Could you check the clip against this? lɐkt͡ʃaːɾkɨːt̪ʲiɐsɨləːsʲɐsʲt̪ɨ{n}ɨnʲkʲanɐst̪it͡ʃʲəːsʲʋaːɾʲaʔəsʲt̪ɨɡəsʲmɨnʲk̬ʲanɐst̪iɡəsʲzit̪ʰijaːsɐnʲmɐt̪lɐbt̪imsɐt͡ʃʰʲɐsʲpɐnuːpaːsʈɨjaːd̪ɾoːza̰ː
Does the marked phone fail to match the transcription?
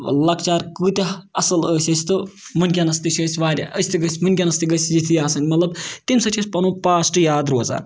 yes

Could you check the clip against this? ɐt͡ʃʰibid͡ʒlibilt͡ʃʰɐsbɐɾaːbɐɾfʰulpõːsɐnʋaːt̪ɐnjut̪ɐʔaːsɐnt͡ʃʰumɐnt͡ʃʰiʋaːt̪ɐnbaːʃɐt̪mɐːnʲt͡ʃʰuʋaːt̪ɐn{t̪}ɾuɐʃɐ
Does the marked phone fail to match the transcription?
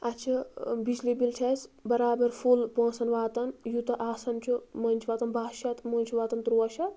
no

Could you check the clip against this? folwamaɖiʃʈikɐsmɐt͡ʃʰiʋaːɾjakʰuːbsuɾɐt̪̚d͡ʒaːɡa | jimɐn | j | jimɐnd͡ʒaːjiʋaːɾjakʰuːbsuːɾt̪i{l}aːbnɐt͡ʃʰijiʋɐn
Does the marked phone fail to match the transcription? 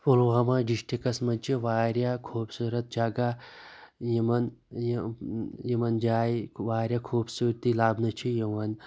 no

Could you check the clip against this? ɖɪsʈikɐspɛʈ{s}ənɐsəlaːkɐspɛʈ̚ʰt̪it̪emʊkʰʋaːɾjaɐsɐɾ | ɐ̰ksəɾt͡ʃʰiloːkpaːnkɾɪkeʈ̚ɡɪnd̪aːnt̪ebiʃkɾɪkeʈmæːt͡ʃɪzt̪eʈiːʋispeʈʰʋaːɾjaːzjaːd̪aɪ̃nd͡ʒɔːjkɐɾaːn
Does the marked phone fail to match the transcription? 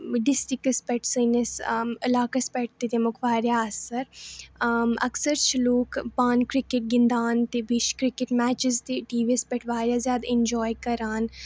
no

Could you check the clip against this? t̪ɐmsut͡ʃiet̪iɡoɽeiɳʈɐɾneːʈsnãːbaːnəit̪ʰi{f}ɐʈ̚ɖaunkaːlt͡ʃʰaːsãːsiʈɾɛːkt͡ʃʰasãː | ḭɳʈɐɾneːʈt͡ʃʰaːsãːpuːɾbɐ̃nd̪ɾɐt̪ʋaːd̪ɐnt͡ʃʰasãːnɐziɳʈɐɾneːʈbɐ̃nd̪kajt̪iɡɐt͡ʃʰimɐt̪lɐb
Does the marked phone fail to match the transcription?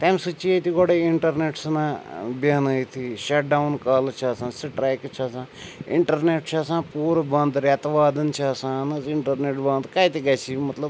yes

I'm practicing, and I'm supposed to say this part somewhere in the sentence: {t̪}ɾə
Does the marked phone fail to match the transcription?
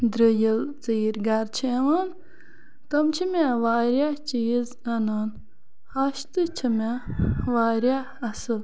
yes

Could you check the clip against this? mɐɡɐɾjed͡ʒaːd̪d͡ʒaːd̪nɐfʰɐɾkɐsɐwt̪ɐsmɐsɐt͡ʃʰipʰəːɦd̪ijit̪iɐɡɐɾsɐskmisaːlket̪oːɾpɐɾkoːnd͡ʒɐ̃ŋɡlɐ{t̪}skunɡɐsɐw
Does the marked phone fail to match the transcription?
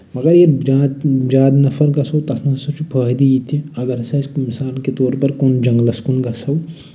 yes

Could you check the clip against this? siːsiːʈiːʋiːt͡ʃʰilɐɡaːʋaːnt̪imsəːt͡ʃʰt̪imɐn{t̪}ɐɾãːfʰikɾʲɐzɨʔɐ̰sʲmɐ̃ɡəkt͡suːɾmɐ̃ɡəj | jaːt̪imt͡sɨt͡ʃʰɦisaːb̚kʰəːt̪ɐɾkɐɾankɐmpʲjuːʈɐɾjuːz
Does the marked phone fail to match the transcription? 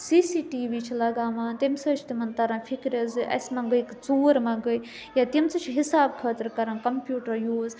no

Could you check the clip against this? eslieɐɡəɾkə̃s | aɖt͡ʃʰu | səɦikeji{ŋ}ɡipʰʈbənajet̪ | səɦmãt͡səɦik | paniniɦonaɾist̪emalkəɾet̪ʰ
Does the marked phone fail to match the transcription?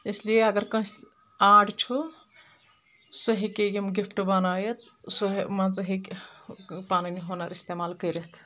yes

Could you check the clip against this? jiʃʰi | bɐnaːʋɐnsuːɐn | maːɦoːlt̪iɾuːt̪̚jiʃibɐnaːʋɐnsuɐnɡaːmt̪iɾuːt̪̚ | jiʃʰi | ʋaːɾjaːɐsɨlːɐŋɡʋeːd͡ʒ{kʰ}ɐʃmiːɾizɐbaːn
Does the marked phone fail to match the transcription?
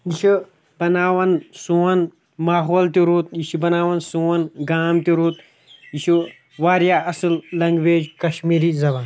yes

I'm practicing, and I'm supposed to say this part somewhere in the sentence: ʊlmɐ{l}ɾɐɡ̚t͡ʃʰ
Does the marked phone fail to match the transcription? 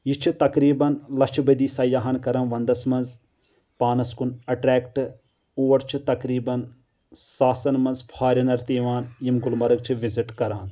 yes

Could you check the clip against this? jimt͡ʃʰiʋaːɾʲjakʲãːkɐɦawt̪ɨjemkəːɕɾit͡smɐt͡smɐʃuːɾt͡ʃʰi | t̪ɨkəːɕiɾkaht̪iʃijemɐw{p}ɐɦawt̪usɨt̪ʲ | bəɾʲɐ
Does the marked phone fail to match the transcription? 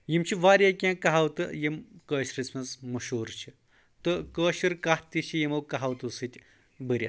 yes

